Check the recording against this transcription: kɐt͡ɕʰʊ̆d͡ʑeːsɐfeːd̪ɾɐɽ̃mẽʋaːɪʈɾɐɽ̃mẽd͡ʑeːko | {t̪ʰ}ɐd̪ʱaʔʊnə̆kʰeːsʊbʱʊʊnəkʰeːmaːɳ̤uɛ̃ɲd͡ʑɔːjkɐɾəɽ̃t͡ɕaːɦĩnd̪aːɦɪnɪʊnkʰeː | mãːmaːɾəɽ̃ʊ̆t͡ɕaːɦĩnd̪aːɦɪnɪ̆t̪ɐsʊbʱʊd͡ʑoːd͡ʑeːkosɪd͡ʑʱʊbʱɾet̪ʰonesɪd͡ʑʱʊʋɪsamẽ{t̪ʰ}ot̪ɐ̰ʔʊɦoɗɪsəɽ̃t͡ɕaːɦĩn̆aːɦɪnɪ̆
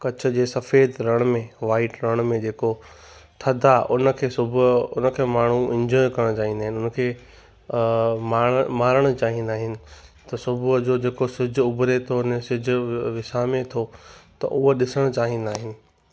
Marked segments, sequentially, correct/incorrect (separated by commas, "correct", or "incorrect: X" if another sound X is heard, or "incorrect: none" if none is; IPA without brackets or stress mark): correct, correct